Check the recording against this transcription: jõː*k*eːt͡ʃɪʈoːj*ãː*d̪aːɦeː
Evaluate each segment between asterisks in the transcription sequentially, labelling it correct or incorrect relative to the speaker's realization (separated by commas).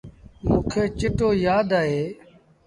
incorrect, incorrect